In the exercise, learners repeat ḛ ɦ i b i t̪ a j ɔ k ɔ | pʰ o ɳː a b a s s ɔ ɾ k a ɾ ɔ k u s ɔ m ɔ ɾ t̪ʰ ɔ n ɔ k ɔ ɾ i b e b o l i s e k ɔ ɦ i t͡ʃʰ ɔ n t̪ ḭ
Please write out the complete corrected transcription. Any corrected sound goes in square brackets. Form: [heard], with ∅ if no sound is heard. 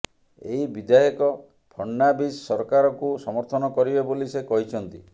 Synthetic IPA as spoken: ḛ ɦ i b i [d̪] a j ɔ k ɔ | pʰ [ɔ] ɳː a b [i] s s ɔ ɾ k a ɾ ɔ k u s ɔ m ɔ ɾ t̪ʰ ɔ n ɔ k ɔ ɾ i b e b o l i s e k ɔ ɦ i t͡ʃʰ ɔ n t̪ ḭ